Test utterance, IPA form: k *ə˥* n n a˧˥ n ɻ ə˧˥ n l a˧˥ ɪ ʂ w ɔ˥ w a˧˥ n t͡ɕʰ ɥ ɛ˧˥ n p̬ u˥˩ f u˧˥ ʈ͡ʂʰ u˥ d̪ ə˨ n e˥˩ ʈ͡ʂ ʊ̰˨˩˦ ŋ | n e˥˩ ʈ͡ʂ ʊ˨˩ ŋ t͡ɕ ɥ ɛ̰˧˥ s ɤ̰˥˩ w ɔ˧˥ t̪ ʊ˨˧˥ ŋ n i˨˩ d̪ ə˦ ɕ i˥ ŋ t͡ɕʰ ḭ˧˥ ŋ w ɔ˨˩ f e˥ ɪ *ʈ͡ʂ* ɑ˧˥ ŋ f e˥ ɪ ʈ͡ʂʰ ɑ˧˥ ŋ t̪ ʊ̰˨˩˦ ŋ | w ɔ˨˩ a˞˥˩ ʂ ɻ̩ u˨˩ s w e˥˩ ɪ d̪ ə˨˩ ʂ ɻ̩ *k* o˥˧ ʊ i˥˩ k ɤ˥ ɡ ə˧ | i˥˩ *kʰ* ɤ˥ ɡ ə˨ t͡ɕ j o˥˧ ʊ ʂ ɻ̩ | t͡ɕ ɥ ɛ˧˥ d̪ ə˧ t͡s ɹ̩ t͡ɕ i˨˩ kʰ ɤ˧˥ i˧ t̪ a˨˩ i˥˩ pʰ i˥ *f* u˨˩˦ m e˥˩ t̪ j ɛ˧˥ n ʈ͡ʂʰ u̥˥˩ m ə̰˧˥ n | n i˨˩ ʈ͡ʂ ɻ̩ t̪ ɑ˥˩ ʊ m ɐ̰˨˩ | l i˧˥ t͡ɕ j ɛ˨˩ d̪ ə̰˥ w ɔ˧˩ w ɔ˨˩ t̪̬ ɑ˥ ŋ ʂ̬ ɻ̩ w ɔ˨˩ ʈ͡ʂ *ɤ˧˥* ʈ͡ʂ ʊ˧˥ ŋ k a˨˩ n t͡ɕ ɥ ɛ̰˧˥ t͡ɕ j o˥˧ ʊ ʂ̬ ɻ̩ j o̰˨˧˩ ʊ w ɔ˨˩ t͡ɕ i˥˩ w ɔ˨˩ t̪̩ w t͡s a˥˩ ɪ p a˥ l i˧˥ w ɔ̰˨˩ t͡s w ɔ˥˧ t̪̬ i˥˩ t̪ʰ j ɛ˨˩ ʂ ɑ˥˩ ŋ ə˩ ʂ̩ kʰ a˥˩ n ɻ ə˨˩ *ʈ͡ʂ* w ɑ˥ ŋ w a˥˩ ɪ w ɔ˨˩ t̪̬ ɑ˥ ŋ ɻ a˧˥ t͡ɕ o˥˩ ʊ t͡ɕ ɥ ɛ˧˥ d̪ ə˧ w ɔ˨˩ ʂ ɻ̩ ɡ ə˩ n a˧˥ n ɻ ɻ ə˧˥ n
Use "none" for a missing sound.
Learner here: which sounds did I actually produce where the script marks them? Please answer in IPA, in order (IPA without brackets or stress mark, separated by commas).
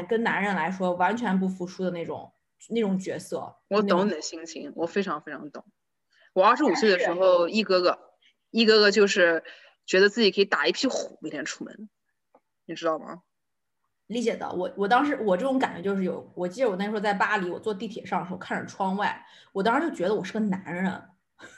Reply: ə˥, ʈ͡ʂʰ, x, k, x, ɤ˥˩, ʈ͡ʂʰ